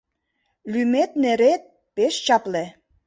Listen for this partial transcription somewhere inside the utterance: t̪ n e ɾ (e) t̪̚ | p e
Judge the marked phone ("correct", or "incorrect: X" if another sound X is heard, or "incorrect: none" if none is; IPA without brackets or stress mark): correct